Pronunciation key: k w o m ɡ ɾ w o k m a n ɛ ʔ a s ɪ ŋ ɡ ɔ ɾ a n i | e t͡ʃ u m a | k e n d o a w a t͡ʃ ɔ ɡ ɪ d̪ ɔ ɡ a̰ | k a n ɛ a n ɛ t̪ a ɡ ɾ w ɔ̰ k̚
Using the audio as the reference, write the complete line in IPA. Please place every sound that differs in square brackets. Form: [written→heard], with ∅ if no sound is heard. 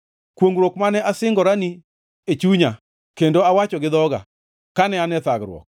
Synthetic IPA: k w o [m→ŋ] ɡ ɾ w o k m a n ɛ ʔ a s ɪ ŋ ɡ ɔ ɾ a n i | e t͡ʃ u [m→ɲ] a | k e n d o a w a t͡ʃ ɔ ɡ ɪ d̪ ɔ ɡ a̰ | k a n ɛ a n ɛ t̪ a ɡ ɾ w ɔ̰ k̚